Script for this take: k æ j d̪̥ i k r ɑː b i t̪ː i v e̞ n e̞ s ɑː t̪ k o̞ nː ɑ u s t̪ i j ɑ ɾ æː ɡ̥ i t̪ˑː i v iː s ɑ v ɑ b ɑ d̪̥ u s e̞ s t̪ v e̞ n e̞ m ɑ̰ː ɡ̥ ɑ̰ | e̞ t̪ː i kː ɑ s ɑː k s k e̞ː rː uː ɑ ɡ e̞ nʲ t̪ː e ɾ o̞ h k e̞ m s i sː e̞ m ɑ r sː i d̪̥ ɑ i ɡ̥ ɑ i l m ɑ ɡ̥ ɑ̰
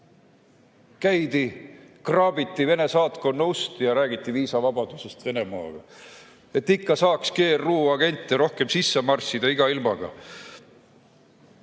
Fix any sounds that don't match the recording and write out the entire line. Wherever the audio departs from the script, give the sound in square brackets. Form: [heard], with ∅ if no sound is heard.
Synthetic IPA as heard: k æ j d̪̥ i k r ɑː b i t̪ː i v e̞ n e̞ s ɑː t̪ k o̞ nː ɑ u s t̪ i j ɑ ɾ æː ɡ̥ i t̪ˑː i v iː s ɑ v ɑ b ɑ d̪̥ u s e̞ s t̪ v e̞ n e̞ m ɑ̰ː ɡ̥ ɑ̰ | e̞ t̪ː i kː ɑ s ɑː k s k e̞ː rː uː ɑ ɡ e̞ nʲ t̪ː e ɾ o̞ h k e̞ m s i sː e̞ m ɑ r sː i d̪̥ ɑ i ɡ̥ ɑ i l m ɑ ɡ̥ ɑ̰